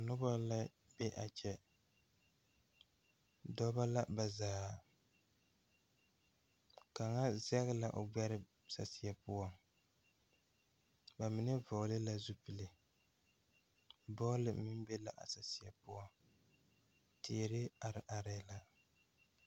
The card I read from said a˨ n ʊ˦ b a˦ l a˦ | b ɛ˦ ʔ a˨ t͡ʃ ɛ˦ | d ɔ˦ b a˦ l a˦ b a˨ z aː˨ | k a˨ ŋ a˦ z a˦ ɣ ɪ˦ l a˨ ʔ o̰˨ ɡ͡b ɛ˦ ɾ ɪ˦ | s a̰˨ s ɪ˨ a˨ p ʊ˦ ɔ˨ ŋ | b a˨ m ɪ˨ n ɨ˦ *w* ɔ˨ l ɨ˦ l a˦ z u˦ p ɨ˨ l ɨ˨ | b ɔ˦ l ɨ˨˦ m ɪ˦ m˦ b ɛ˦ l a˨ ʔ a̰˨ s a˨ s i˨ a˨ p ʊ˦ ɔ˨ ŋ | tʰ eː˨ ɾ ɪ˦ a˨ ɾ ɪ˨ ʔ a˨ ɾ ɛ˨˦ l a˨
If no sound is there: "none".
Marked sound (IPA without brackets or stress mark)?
v